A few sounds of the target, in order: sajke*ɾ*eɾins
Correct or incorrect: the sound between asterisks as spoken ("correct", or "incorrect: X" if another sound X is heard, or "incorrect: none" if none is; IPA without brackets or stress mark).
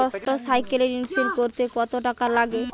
incorrect: l